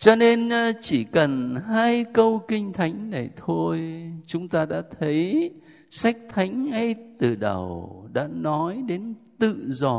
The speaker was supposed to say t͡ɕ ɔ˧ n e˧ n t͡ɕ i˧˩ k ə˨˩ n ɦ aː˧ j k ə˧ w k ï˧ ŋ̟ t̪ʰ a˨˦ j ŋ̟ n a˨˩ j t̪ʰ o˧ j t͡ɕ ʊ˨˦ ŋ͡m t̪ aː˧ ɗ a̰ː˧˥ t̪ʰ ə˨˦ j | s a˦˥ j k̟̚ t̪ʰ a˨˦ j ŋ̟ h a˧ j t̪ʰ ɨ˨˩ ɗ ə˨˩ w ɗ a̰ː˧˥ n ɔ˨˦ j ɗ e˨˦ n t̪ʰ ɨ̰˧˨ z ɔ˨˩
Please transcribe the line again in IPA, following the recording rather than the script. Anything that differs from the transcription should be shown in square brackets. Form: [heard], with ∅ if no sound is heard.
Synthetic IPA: t͡ɕ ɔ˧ n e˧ n t͡ɕ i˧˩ k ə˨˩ n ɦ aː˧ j k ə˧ w k ï˧ ŋ̟ t̪ʰ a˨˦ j ŋ̟ n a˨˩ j t̪ʰ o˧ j t͡ɕ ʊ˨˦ ŋ͡m t̪ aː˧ ɗ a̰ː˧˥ t̪ʰ ə˨˦ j | s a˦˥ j k̟̚ t̪ʰ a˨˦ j ŋ̟ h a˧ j [t̪] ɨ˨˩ ɗ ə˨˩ w ɗ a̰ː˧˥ n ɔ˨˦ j ɗ e˨˦ n [t̪] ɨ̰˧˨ z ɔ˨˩